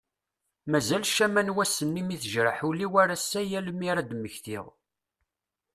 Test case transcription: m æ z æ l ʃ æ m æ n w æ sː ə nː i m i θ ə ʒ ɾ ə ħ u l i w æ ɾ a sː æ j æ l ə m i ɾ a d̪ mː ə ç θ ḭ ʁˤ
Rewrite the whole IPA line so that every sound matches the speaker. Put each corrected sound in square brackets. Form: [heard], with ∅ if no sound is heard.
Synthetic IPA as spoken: m æ z æ l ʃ æ m æ n w æ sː ə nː i m i θ ə ʒ ɾ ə ħ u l i w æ ɾ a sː æ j æ l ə m i ɾ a d̪ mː ə ç θ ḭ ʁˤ